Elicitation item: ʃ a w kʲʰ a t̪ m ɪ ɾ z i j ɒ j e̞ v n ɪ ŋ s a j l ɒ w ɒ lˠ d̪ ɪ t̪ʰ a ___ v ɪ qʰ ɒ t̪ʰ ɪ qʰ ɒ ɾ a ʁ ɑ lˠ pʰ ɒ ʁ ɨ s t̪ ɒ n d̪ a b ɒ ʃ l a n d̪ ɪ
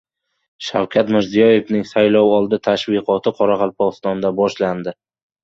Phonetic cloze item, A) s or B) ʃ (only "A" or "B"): B